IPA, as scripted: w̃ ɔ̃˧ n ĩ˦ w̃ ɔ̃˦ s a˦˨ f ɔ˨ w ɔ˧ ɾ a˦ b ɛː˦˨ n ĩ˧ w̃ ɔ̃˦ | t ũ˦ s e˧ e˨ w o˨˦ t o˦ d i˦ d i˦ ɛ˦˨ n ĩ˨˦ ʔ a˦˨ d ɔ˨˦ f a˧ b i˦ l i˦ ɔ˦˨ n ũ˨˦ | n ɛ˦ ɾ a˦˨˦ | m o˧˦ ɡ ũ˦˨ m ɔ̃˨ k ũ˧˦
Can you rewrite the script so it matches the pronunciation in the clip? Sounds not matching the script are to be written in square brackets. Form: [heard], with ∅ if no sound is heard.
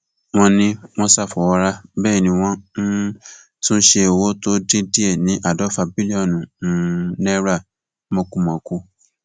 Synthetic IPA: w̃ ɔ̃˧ n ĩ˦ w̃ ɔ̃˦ s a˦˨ f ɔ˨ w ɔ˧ ɾ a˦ b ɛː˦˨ n ĩ˧ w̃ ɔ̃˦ | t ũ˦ [ʃ] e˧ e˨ w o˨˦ t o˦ d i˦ d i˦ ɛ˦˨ n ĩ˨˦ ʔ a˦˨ d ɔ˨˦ f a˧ b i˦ l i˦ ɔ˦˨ n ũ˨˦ | n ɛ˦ ɾ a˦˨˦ | m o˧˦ [k] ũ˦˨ m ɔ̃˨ k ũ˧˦